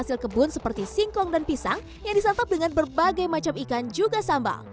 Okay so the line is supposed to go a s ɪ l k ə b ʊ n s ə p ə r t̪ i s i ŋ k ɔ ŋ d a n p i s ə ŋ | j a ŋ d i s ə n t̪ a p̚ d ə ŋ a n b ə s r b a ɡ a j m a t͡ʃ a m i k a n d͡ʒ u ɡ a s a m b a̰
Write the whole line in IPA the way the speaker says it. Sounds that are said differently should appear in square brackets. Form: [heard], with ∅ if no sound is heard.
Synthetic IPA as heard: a s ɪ l k ə b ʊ n s ə p ə r t̪ i s i ŋ k ɔ ŋ d a n p i s [a] ŋ | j a ŋ d i s [a] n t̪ a p̚ d ə ŋ a n b ə [∅] r b a ɡ a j m a t͡ʃ a m i k a n d͡ʒ u ɡ a s a m b a̰